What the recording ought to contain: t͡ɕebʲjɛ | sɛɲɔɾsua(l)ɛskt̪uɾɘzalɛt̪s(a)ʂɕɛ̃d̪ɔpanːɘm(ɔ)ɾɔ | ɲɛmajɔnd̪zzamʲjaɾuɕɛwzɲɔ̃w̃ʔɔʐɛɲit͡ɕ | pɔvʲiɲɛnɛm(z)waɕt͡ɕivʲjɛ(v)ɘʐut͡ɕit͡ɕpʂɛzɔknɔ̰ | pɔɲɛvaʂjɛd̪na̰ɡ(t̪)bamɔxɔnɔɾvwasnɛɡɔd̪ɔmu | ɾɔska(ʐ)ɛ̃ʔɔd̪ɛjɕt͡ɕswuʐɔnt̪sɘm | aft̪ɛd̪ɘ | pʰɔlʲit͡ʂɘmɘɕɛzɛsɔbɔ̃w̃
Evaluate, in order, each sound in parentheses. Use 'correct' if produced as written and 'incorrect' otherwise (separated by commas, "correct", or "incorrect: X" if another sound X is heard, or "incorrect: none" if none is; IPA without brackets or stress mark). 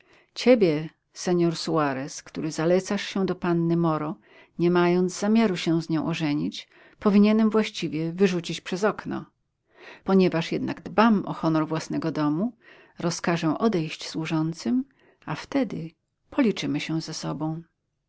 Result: incorrect: ɾ, correct, correct, incorrect: v, correct, incorrect: d̪, correct